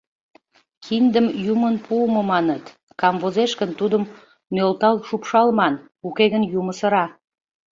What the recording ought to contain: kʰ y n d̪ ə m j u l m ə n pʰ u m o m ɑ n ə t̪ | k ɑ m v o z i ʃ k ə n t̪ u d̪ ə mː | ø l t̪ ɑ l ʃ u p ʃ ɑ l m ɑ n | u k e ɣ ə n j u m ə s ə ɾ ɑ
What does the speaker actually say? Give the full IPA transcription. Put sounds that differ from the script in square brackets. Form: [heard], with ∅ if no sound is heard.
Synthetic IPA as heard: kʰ [i] n d̪ ə m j u [∅] m ə n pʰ u m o m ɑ n ə t̪ | k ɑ m v o z [e] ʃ k ə n t̪ u d̪ ə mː | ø l t̪ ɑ l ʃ u p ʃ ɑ l m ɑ n | u k e ɣ ə n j u m ə s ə ɾ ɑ